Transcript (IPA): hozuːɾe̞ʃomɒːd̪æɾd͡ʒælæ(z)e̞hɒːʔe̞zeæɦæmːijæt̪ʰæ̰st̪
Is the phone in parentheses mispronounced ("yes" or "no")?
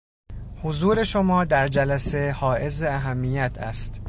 yes